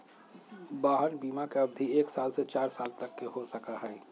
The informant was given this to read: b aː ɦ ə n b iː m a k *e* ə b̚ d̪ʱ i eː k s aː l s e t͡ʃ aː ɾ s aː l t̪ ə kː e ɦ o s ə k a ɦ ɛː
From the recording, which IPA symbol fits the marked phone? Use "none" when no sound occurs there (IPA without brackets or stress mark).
e